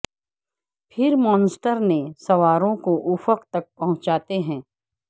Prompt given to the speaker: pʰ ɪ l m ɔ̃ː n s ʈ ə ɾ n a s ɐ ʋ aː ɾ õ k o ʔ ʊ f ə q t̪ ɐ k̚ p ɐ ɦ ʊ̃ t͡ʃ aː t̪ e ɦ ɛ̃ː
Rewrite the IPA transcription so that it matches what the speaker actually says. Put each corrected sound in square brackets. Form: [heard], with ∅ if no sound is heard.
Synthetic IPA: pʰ ɪ [ɾ] m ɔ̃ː n s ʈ ə ɾ n [e] s ɐ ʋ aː ɾ õ k o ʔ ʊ f ə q t̪ ɐ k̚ p ɐ ɦ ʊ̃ t͡ʃ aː t̪ e ɦ ɛ̃ː